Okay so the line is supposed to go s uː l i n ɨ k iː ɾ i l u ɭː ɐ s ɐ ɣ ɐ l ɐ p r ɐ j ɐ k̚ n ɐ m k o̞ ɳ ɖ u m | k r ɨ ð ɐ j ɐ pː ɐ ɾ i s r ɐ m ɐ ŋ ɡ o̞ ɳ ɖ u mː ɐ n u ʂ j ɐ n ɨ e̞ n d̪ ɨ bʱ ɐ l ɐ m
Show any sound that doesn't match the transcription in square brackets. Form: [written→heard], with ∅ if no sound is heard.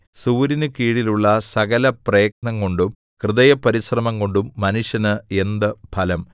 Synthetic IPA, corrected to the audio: s uː [l→ɾ] i n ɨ k iː [ɾ→ɽ] i l u ɭː ɐ s ɐ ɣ ɐ l ɐ p r ɐ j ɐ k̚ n ɐ [m→ŋ] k o̞ ɳ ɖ u m | k r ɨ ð ɐ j ɐ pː ɐ ɾ i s r ɐ m ɐ ŋ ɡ o̞ ɳ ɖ u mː ɐ n u ʂ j ɐ n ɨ e̞ n d̪ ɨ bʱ ɐ l ɐ m

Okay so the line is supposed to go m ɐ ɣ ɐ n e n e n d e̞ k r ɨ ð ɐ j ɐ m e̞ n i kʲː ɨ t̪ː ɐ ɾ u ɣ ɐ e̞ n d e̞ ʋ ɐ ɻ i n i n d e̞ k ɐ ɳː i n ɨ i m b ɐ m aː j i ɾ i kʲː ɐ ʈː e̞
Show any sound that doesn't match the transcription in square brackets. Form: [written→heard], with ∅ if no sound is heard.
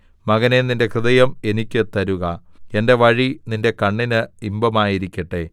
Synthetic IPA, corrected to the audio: m ɐ ɣ ɐ n e n [e→i] n d e̞ k r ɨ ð ɐ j ɐ m e̞ n i kʲː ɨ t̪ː ɐ ɾ u ɣ ɐ e̞ n d e̞ ʋ ɐ ɻ i n i n d e̞ k ɐ ɳː i n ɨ i m b ɐ m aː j i ɾ i kʲː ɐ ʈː e̞

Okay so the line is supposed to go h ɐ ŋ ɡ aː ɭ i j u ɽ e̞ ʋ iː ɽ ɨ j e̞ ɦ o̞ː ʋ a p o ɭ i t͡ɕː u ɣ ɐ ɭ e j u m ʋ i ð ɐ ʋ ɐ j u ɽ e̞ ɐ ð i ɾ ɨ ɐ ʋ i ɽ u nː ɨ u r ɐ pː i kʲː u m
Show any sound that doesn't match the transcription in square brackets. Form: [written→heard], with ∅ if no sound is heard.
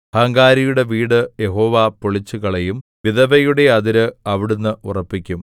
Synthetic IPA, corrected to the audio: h ɐ ŋ ɡ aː [ɭ→ɾ] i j u ɽ e̞ ʋ iː ɽ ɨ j e̞ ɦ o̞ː ʋ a p o ɭ i t͡ɕː u ɣ ɐ ɭ e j u m ʋ i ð ɐ ʋ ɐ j u ɽ e̞ ɐ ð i ɾ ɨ ɐ ʋ i ɽ u nː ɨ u r ɐ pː i kʲː u m

